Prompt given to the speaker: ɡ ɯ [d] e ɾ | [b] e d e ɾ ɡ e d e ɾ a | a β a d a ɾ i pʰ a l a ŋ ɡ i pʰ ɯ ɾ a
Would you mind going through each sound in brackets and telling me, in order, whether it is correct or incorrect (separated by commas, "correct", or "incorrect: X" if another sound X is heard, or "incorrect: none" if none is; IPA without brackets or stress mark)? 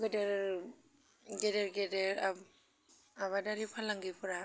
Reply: correct, incorrect: ɡ